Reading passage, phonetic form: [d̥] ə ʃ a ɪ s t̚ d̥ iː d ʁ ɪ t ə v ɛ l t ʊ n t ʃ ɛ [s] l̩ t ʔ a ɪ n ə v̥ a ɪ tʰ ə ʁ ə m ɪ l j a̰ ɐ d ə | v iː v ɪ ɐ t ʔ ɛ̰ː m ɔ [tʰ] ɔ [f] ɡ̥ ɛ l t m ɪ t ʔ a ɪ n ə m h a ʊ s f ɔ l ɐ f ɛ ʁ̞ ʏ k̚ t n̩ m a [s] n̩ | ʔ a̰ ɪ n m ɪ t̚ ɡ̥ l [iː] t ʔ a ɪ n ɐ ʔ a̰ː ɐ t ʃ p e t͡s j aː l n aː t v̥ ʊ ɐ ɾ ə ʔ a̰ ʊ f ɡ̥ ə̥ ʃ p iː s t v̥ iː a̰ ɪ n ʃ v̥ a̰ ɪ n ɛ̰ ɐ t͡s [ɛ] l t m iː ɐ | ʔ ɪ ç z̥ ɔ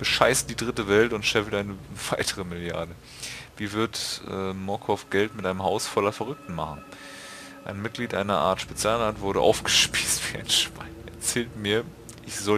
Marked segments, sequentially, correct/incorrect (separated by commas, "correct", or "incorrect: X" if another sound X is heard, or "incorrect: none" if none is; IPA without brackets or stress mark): incorrect: b̥, incorrect: f, incorrect: kʰ, correct, incorrect: χ, correct, incorrect: ɛː